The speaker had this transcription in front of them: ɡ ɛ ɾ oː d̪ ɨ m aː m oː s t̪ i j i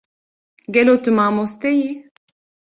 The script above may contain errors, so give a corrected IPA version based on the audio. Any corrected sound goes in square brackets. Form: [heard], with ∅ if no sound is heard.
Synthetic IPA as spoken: ɡ ɛ [l] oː [t̪] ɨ m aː m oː s t̪ [ɛ] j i